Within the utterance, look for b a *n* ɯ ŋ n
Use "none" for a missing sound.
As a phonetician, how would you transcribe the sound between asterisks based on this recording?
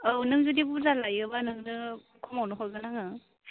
n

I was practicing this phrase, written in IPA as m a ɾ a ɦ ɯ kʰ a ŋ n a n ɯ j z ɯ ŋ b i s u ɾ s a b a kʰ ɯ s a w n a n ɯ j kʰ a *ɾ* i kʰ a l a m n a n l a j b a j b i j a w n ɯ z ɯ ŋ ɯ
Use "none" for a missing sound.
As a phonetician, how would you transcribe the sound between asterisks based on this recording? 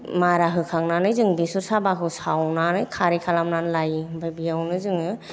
ɾ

